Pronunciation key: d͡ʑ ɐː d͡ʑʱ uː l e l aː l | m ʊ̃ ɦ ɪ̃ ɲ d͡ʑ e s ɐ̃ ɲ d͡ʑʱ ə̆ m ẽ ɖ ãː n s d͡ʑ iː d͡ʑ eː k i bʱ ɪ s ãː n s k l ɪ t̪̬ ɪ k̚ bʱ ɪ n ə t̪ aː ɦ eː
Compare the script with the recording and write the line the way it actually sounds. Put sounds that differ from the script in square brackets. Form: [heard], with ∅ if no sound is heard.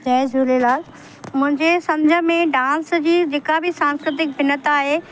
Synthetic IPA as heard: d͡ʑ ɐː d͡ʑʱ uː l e l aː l | m ʊ̃ ɦ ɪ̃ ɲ d͡ʑ e s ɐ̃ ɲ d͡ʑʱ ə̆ m ẽ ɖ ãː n s d͡ʑ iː d͡ʑ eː k [a] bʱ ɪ s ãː n s k [ɾ] ɪ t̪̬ ɪ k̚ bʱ ɪ n ə t̪ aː ɦ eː

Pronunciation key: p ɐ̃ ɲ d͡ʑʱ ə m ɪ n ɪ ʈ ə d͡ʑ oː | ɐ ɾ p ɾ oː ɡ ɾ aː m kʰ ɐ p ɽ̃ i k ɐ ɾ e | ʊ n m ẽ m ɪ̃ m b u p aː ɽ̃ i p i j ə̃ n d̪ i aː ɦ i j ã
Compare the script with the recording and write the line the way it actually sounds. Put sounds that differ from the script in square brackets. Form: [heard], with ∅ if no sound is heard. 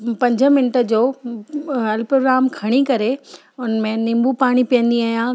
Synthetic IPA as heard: p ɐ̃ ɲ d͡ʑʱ ə m ɪ n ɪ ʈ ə d͡ʑ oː | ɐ [l] p ɾ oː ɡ ɾ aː m kʰ ɐ [∅] ɽ̃ i k ɐ ɾ e | ʊ n m ẽ [n] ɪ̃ m b u p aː ɽ̃ i p i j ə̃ n d̪ i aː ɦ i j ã

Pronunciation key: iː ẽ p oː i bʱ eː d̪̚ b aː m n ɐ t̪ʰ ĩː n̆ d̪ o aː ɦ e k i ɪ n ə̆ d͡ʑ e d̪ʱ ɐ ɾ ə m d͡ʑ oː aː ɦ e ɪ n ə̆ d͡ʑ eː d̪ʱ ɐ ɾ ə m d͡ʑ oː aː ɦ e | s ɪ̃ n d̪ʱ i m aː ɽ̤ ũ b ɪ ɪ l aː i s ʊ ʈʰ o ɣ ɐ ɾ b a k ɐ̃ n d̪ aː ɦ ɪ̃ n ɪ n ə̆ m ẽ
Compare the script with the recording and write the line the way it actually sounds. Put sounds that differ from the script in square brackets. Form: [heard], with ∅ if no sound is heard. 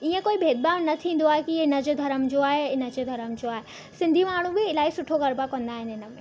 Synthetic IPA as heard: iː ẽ [k] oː i bʱ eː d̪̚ b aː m n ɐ t̪ʰ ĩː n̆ d̪ o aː ɦ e k i ɪ n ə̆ d͡ʑ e d̪ʱ ɐ ɾ ə m d͡ʑ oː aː ɦ e ɪ n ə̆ d͡ʑ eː d̪ʱ ɐ ɾ ə m d͡ʑ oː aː ɦ e | s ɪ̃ n d̪ʱ i m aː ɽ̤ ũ b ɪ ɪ l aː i s ʊ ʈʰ o ɣ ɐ ɾ b a k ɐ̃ n d̪ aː ɦ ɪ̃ n ɪ n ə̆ m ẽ

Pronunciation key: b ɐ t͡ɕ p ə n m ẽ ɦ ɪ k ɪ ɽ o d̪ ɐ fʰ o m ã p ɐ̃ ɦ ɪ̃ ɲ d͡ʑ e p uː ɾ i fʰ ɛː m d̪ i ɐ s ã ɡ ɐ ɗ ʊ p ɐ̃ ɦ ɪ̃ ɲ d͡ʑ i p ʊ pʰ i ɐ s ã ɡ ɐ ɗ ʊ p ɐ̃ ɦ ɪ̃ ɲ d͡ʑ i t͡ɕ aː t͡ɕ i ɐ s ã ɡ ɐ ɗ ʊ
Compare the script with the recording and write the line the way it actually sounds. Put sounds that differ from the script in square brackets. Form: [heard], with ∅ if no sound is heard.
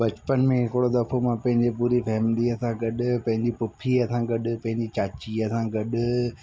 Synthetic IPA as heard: b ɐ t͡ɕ p ə n m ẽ ɦ ɪ k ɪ ɽ o d̪ ɐ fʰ o m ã p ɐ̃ ɦ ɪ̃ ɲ d͡ʑ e p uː ɾ i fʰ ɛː m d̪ i ɐ s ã ɡ ɐ ɗ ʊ p ɐ̃ ɦ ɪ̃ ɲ d͡ʑ i p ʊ pʰ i ɐ s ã ɡ ɐ ɗ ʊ p ɐ̃ ɦ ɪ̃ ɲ d͡ʑ i t͡ɕ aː t͡ɕ i ɐ s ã ɡ ɐ ɗ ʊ

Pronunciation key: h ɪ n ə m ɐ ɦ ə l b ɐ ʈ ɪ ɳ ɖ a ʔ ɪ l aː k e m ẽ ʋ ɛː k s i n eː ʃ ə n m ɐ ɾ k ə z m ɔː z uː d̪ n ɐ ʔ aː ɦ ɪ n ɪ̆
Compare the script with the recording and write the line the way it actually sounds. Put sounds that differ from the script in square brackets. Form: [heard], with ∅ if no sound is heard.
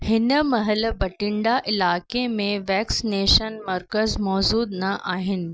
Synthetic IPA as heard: h ɪ n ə m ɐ ɦ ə l b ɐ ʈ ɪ ɳ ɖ a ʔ ɪ l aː k e m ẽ ʋ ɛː k s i n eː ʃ ə n m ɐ ɾ k ə z m ɔː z uː d̪ n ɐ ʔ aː ɦ ɪ n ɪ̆

